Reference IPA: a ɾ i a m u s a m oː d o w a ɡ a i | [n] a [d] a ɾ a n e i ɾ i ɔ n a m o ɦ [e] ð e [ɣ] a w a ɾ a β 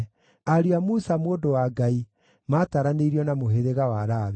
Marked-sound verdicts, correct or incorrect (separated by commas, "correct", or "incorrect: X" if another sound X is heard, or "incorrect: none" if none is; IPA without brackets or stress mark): incorrect: m, incorrect: t, correct, correct